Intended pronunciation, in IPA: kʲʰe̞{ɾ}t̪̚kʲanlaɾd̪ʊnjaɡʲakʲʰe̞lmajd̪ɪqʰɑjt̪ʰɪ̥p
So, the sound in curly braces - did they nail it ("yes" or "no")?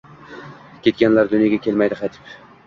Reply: no